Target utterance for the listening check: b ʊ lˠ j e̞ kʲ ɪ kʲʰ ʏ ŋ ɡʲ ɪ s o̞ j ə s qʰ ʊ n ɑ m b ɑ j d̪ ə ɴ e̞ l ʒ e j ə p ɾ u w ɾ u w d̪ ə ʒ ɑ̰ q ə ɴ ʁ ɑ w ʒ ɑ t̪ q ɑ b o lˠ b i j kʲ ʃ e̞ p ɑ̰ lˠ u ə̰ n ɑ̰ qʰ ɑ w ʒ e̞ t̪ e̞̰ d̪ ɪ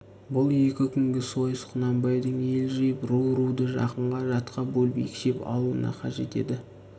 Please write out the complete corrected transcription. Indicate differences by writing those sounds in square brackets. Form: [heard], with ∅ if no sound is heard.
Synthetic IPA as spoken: b ʊ lˠ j e̞ kʲ ɪ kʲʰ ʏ ŋ ɡʲ ɪ s o̞ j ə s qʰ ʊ n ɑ m b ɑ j d̪ ə ɴ e̞ l ʒ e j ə p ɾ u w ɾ u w d̪ ə ʒ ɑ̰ q ə ɴ ʁ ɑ [∅] ʒ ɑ t̪ q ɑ b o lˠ b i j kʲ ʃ e̞ p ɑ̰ lˠ u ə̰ n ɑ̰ qʰ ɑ [∅] ʒ e̞ t̪ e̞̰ d̪ ɪ